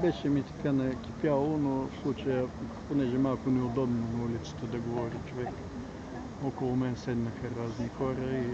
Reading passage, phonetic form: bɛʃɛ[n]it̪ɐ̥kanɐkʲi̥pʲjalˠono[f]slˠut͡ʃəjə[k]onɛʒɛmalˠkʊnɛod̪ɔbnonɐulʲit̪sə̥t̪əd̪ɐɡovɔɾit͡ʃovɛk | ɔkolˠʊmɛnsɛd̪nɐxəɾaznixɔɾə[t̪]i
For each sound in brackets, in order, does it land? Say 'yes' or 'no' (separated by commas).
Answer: no, yes, no, no